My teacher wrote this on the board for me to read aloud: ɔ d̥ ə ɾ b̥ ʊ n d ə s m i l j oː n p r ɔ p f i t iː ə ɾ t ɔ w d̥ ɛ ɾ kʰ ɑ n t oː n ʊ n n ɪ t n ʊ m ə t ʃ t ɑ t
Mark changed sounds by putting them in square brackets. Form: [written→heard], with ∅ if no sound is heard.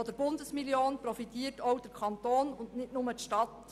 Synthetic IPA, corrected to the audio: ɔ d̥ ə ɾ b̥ ʊ n d ə s m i l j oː n p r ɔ [p→∅] f i t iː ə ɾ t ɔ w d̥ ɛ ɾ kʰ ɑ n t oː n ʊ n n ɪ t n ʊ m ə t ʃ t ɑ t